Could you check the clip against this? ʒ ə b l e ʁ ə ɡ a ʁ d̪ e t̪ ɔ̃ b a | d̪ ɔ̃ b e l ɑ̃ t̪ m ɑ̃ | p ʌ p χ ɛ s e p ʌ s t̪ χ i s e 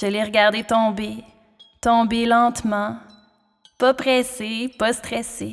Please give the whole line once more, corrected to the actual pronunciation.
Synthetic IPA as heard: ʒ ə l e ʁ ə ɡ a ʁ d̪ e t̪ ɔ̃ b e | t̪ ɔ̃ b e l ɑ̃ t̪ m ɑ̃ | p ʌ p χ ɛ s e p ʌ s t̪ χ ɛ s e